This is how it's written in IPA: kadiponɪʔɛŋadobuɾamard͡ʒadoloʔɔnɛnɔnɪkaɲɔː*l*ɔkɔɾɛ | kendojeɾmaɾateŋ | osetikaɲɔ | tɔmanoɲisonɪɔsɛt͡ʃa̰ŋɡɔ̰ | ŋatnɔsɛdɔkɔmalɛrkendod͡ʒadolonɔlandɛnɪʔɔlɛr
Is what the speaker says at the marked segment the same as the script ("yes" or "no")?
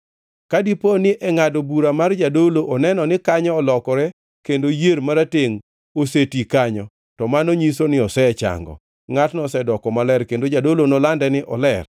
yes